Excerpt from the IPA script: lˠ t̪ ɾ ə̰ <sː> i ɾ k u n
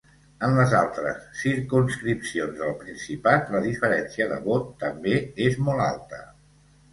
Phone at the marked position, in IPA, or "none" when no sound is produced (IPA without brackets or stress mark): sː